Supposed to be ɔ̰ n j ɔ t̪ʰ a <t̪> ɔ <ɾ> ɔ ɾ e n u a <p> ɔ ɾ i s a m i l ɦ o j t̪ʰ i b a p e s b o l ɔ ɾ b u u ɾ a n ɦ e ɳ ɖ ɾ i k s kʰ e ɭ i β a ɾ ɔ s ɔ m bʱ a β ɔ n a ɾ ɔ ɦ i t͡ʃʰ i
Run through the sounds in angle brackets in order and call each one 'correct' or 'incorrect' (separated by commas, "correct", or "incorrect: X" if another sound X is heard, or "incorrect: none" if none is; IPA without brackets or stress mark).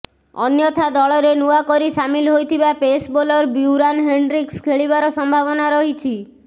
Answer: incorrect: d̪, incorrect: ɭ, incorrect: k